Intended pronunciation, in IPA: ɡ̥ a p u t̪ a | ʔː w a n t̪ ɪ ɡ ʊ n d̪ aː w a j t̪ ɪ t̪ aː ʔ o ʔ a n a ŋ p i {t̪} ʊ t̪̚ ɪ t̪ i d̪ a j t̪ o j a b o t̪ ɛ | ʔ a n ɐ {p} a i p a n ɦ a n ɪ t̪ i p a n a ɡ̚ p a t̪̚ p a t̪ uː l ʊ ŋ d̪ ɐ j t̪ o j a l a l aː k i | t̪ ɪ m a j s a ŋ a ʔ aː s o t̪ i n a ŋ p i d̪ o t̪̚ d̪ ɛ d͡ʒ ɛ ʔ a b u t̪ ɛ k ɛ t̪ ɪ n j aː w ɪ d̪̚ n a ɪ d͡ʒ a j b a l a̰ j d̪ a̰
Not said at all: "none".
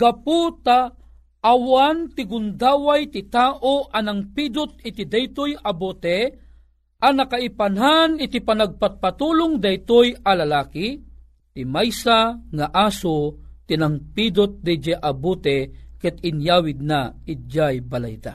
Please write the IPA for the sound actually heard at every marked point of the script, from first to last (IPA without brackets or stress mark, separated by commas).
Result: d̪, k